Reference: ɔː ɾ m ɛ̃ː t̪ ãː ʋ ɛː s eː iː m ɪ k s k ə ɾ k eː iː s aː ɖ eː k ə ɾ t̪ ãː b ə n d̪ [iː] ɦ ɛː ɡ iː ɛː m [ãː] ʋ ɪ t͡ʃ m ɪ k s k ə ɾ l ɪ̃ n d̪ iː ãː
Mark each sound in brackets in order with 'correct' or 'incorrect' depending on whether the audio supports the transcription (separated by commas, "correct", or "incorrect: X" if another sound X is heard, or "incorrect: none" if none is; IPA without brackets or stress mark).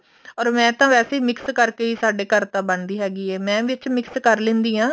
correct, incorrect: ɛ̃ː